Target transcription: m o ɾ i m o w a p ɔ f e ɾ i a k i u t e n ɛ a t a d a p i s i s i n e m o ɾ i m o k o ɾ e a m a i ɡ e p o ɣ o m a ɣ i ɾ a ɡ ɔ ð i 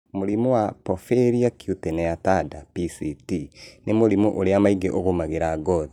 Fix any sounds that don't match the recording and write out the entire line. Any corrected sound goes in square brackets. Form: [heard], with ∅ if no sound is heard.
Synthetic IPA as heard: m o ɾ i m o w a p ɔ f e ɾ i a k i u t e n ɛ a t a d a p i s i [t] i n e m o ɾ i m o [ʔ] o ɾ e a m a i ɡ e [ʔ] o ɣ o m a ɣ [e] ɾ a ɡ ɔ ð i